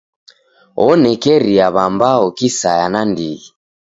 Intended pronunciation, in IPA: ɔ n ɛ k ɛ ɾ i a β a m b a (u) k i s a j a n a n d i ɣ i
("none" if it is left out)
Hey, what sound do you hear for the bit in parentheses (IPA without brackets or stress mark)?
ɔ